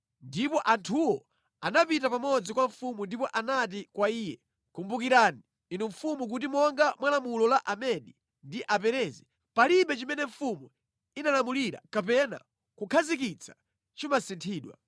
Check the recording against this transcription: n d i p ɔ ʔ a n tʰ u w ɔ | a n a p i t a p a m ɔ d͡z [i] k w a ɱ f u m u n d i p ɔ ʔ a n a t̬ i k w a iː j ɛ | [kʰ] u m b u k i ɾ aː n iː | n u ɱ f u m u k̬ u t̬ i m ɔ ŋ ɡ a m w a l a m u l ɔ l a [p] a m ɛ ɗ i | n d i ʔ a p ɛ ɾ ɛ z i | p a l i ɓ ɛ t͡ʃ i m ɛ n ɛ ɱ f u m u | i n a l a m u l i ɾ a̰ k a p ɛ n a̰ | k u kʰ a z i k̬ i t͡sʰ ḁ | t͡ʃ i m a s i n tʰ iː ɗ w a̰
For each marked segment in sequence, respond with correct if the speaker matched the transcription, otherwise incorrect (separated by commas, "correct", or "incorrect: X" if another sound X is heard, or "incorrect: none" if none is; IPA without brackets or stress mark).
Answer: correct, incorrect: k, incorrect: ʔ